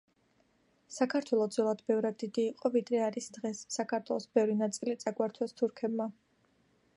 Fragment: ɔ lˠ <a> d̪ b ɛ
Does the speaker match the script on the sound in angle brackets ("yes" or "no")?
yes